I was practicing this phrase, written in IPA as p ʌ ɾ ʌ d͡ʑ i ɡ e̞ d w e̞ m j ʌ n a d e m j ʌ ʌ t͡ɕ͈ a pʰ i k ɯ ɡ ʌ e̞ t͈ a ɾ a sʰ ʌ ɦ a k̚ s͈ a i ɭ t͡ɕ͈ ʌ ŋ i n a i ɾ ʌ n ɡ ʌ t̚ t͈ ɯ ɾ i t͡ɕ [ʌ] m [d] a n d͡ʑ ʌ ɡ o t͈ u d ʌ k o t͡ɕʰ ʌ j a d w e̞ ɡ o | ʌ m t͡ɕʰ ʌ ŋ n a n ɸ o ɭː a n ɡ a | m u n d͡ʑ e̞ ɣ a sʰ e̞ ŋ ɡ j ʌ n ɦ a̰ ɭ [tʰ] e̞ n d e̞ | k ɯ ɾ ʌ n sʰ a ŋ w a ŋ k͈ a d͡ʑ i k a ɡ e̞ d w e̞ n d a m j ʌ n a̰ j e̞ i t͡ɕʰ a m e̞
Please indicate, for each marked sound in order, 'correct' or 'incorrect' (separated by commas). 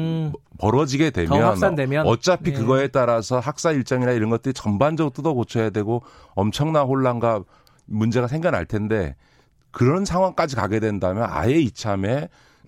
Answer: correct, incorrect, correct